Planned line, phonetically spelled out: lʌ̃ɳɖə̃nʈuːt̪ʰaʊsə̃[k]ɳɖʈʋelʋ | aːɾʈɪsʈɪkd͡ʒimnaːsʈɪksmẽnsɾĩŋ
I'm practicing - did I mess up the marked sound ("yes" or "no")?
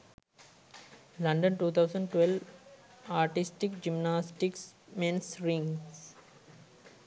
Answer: yes